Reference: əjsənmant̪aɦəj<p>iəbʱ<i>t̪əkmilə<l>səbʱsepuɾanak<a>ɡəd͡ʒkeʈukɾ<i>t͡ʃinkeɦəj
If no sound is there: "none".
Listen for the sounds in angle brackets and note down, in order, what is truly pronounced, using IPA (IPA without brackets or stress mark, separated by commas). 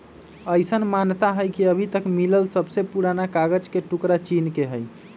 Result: k, i, l, a, a